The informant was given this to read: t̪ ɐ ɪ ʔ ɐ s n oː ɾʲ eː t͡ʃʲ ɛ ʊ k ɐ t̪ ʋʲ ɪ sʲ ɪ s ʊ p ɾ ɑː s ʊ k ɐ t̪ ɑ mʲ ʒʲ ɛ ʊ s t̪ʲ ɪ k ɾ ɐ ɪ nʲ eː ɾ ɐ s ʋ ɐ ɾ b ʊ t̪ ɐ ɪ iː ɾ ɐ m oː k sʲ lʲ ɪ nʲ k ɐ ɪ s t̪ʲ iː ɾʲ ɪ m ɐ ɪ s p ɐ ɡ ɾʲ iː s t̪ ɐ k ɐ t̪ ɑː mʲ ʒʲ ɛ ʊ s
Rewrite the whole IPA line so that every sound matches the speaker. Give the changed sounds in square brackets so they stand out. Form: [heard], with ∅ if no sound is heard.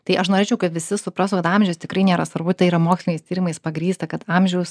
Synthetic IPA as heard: t̪ ɐ ɪ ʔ ɐ [ʃ] n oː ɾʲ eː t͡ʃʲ ɛ ʊ k ɐ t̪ ʋʲ ɪ sʲ ɪ s ʊ p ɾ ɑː s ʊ k ɐ t̪ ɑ mʲ ʒʲ ɛ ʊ s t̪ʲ ɪ k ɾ ɐ ɪ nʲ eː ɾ ɐ s ʋ ɐ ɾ b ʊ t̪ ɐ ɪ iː ɾ ɐ m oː k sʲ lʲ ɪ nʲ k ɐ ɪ s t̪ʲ iː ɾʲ ɪ m ɐ ɪ s p ɐ ɡ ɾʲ iː s t̪ ɐ k ɐ t̪ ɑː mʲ ʒʲ ɛ ʊ s